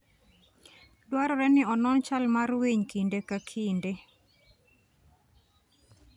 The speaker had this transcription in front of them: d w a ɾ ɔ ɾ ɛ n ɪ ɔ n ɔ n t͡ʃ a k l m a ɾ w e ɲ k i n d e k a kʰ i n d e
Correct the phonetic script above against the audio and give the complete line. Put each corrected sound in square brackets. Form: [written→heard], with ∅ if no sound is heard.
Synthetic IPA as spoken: d w a ɾ ɔ ɾ ɛ n ɪ ɔ n ɔ n t͡ʃ a [k→∅] l m a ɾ w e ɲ k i n d e k a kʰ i n d e